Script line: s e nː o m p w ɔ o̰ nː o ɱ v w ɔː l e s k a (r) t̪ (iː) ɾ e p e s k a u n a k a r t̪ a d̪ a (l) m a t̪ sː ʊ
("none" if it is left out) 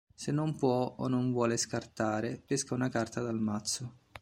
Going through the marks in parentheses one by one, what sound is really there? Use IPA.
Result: r, aː, l

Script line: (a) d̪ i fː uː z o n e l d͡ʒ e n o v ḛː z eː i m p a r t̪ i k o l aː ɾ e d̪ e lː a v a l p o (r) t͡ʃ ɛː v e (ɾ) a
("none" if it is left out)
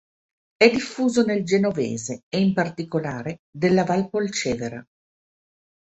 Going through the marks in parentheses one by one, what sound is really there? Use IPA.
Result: ɛ, l, ɾ

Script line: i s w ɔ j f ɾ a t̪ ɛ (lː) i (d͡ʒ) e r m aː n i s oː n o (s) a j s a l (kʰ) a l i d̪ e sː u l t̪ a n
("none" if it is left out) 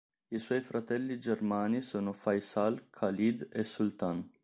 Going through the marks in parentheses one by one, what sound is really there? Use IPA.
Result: lː, d͡ʒ, f, kʰ

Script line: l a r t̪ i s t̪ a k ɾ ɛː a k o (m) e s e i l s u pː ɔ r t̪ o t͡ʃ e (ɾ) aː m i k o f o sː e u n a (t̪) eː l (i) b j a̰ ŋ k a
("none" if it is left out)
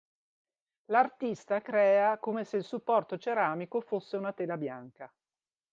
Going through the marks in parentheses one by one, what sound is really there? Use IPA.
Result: m, ɾ, t̪, a

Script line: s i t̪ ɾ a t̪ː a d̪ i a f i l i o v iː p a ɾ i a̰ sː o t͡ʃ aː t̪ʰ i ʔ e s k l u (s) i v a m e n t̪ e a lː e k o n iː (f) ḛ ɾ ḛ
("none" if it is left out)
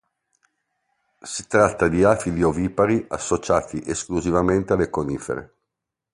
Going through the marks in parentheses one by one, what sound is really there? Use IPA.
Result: z, f

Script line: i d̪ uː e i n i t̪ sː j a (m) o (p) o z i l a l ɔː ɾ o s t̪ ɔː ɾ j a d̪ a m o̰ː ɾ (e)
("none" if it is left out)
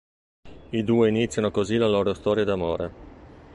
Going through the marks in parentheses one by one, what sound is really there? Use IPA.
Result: n, k, e

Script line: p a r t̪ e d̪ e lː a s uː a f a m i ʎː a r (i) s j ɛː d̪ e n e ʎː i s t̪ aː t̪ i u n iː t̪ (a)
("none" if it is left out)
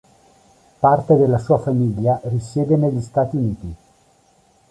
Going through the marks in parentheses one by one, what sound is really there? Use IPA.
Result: i, i

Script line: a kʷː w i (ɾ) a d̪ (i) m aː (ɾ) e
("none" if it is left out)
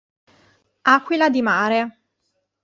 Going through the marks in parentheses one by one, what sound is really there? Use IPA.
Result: l, i, ɾ

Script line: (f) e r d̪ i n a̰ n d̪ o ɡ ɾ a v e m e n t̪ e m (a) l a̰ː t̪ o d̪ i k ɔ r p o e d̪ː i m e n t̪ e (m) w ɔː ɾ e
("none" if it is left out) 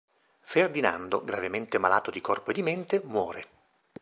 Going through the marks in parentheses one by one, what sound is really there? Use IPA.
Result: f, a, m

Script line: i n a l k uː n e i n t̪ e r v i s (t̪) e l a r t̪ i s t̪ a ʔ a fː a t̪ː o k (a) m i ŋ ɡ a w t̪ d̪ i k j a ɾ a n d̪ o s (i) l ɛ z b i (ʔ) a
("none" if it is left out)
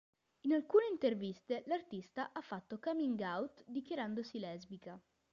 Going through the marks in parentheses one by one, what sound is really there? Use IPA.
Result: t̪, a, i, k

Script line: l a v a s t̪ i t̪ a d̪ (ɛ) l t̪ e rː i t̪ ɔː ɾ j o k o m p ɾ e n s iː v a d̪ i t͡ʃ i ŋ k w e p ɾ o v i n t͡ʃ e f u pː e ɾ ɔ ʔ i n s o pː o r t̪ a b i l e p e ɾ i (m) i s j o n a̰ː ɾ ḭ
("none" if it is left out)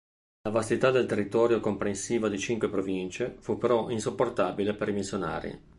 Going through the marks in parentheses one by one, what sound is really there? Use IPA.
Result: e, m

